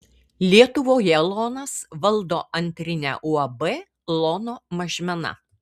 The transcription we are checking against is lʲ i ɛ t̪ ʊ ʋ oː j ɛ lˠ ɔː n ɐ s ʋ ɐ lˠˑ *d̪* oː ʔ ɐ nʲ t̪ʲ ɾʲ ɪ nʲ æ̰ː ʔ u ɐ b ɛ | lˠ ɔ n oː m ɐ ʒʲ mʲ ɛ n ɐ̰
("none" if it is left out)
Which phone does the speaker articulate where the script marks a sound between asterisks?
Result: d̪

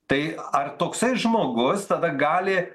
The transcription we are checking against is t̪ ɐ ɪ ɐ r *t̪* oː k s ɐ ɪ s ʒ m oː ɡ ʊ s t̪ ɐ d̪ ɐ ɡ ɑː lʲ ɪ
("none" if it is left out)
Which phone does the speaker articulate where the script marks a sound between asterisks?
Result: t̪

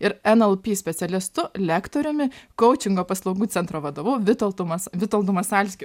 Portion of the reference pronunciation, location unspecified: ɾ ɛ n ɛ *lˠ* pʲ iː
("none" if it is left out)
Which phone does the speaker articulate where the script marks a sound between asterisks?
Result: lˠ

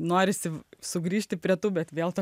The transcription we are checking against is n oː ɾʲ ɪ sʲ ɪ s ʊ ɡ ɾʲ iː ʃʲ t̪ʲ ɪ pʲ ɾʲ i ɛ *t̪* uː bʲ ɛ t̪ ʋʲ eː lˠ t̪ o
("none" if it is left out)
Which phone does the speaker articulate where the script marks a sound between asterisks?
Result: t̪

